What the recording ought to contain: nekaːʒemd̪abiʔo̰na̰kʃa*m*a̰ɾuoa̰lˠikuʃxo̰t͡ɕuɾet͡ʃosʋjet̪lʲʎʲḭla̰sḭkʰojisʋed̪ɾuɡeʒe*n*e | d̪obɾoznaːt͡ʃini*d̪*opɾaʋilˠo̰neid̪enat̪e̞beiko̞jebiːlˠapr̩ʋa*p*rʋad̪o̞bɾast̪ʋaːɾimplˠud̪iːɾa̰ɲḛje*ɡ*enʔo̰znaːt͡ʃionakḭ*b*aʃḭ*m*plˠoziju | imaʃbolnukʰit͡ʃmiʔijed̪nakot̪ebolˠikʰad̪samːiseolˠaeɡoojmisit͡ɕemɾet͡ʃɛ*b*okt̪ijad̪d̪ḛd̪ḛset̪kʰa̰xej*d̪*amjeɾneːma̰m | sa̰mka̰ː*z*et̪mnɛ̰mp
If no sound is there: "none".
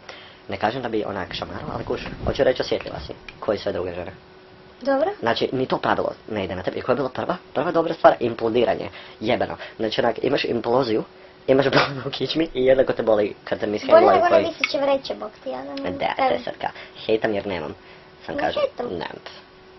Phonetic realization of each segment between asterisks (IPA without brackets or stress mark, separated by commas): m, n, t̪, p, b, m, m, b, t̪, ʒ